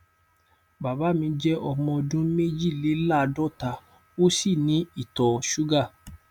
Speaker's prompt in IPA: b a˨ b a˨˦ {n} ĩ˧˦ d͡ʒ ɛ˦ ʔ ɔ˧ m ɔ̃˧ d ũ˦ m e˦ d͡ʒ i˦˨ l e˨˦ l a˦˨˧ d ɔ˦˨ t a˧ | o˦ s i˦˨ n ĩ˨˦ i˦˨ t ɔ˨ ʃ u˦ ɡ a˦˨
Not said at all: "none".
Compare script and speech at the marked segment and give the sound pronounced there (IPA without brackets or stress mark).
m